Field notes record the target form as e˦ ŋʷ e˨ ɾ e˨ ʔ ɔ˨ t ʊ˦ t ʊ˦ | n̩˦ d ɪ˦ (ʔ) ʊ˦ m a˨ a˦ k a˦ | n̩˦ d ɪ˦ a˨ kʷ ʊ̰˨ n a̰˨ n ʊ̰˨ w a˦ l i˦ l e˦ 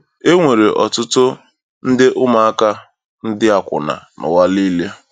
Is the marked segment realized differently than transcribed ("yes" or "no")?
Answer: no